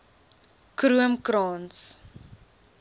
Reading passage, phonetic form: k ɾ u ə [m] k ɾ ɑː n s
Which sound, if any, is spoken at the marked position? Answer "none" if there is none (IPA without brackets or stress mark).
m